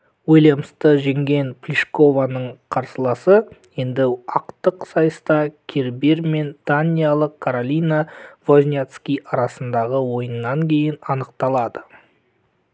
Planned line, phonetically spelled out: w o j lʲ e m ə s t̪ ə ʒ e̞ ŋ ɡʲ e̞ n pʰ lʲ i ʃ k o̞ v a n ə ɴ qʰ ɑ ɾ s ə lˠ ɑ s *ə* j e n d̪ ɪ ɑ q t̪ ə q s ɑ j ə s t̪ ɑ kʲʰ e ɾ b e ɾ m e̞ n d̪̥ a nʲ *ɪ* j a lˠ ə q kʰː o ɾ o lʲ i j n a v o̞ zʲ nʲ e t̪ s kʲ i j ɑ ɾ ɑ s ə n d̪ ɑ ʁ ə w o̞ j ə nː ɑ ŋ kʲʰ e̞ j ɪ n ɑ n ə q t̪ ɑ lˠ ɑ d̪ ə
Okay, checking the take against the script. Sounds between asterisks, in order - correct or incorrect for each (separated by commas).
correct, incorrect